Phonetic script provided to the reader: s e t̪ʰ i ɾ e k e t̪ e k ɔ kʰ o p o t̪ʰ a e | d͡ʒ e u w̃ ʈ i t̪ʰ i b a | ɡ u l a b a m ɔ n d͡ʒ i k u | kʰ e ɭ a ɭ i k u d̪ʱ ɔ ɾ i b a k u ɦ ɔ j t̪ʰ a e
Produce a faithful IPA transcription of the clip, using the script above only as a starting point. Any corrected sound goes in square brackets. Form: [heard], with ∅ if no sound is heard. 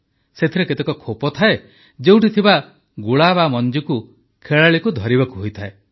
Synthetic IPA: s e t̪ʰ i ɾ e k e t̪ e k ɔ kʰ o p [ɔ] t̪ʰ a e | d͡ʒ e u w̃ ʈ i t̪ʰ i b a | ɡ u [ɭ] a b a m ɔ n d͡ʒ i k u | kʰ e ɭ a ɭ i k u d̪ʱ ɔ ɾ i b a k u ɦ [o] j t̪ʰ a e

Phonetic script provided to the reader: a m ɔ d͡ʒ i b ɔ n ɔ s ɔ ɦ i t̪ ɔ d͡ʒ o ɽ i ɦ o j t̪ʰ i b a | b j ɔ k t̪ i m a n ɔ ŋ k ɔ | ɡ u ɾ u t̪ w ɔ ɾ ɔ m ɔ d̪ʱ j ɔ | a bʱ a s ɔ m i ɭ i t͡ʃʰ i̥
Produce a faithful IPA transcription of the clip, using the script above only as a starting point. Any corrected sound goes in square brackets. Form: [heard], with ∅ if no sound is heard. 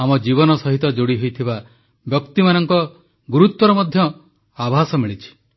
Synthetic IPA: a m ɔ d͡ʒ i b ɔ n ɔ s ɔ ɦ i t̪ ɔ d͡ʒ o ɽ i ɦ o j t̪ʰ i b a | b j ɔ k t̪ i m a n ɔ ŋ k ɔ | ɡ u ɾ u t̪ w ɔ ɾ ɔ m ɔ d̪ʱ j ɔ | a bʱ a s ɔ m i ɭ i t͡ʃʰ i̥

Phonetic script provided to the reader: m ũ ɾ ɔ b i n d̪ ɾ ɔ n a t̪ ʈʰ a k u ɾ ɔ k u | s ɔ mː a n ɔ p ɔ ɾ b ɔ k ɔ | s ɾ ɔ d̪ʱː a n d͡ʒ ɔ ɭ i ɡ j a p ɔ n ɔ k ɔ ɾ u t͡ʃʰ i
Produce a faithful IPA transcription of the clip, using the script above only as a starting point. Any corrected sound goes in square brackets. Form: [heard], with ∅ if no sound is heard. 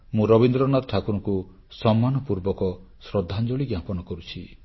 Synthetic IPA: m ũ ɾ ɔ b i n d̪ ɾ ɔ n a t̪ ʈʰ a k u ɾ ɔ k u | s ɔ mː a n ɔ p [u] ɾ b ɔ k ɔ | s ɾ ɔ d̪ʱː a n d͡ʒ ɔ ɭ i ɡ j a p ɔ n ɔ k ɔ ɾ u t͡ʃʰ i

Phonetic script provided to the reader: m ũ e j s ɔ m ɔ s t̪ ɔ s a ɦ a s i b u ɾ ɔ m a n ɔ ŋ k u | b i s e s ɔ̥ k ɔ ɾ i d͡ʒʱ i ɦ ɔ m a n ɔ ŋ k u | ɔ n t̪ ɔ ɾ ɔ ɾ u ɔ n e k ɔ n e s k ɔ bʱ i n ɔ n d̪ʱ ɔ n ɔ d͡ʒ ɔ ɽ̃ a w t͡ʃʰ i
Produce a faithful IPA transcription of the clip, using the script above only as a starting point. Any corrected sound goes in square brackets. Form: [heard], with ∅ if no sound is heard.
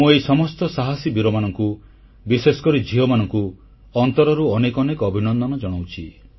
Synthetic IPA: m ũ e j s ɔ m ɔ s t̪ ɔ s a ɦ a s i b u ɾ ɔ m a n ɔ ŋ k u | b i s e s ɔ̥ k ɔ ɾ i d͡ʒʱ i ɦ ɔ m a n ɔ ŋ k u | ɔ n t̪ ɔ ɾ ɔ ɾ u ɔ n e k ɔ n e [∅] k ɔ bʱ i n ɔ n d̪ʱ ɔ n ɔ d͡ʒ ɔ ɽ̃ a w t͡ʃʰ i

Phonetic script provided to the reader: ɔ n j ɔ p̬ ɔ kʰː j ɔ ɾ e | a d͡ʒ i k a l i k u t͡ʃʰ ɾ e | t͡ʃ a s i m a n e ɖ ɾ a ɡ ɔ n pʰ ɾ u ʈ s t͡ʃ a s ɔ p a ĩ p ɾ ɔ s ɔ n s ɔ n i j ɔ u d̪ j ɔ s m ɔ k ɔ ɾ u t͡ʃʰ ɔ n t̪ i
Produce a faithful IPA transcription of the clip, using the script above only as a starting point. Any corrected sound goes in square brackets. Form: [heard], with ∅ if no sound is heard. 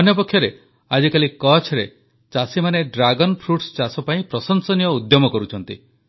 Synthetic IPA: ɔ n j ɔ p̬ ɔ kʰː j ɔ ɾ e | a d͡ʒ i k a l i k [ɔ] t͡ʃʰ ɾ e | t͡ʃ a s i m a n e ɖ ɾ a ɡ ɔ n pʰ ɾ u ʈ s t͡ʃ a s ɔ p a ĩ p ɾ ɔ s ɔ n s ɔ n i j ɔ u d̪ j ɔ [∅] m ɔ k ɔ ɾ u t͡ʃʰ ɔ n t̪ i

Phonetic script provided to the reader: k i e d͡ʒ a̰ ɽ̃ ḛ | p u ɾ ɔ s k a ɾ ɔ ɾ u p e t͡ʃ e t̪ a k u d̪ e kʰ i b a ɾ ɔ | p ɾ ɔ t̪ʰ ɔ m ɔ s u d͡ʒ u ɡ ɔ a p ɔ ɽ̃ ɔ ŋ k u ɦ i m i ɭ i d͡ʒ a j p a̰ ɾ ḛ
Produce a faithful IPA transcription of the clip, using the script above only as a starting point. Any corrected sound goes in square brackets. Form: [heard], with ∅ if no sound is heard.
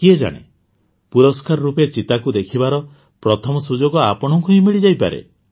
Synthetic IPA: k i e d͡ʒ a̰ ɽ̃ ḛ | p u ɾ ɔ s k a ɾ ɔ ɾ u p e t͡ʃ [i] t̪ a k u d̪ e kʰ i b a ɾ ɔ | p ɾ ɔ t̪ʰ ɔ m ɔ s u d͡ʒ [o] ɡ ɔ a p ɔ ɽ̃ ɔ ŋ k u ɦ i m i ɭ i d͡ʒ a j p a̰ ɾ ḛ

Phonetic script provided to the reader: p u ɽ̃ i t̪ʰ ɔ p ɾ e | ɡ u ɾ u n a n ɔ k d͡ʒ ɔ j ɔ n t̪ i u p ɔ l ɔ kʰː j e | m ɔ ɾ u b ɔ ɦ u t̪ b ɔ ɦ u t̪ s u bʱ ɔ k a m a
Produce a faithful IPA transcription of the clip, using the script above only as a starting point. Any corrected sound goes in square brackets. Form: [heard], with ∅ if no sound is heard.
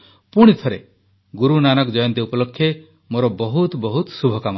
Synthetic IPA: p u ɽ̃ i t̪ʰ ɔ [∅] ɾ e | ɡ u ɾ u n a n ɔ k d͡ʒ ɔ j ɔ n t̪ i u p ɔ l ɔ kʰː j e | m [o] ɾ [ɔ] b ɔ ɦ u t̪ b ɔ ɦ u t̪ s u bʱ ɔ k a m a

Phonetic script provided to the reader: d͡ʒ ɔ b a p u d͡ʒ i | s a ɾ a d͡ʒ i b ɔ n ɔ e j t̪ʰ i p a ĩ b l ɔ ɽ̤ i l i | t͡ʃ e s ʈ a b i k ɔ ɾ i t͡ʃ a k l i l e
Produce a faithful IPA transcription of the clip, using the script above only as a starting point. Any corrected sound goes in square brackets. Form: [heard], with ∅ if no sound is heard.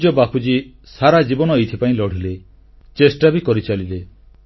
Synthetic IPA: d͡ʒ ɔ b a p u d͡ʒ i | s a ɾ a d͡ʒ i b ɔ n ɔ e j t̪ʰ i p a ĩ [∅] l ɔ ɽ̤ i l [e] | t͡ʃ e s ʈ a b i k ɔ ɾ i t͡ʃ a [∅] l i l e

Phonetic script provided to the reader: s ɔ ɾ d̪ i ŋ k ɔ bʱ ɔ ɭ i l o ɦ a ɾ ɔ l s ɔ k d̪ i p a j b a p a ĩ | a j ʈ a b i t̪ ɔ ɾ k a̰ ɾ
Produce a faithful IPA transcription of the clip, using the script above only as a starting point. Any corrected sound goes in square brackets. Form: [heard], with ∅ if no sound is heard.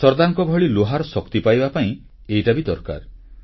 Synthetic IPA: s ɔ ɾ d̪ [a] ŋ k ɔ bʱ ɔ ɭ i l o ɦ a ɾ ɔ [∅] s ɔ k [t̪] i p a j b a p a ĩ | [e] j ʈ a b i [d̪] ɔ ɾ k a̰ ɾ

